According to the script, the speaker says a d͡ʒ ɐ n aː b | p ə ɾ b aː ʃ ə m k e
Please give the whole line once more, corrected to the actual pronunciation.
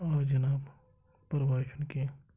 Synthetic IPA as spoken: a d͡ʒ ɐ n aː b | p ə ɾ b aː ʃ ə n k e